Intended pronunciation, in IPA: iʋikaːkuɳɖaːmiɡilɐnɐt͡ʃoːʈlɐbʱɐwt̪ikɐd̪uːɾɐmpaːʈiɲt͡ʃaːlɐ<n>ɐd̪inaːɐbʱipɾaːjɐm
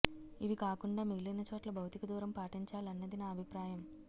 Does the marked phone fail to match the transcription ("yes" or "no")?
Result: yes